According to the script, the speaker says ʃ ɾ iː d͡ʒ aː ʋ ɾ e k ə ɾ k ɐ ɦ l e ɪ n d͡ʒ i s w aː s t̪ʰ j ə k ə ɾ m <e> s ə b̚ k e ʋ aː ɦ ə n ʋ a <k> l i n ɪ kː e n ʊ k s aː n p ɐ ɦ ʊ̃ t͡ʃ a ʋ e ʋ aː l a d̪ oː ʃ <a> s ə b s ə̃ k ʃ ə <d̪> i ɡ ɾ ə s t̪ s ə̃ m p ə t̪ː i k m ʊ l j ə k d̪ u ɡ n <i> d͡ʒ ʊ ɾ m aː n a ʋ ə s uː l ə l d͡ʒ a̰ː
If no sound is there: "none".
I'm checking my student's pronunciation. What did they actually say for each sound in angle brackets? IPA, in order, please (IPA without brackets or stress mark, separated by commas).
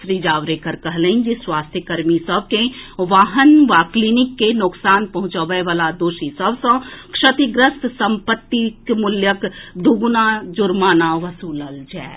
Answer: i, k, i, t̪, a